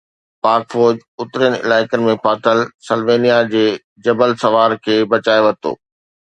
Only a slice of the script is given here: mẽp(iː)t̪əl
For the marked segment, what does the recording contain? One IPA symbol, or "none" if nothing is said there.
aː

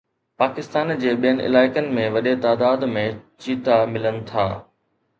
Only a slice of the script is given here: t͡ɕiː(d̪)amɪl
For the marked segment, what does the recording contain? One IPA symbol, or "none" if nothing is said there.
t̪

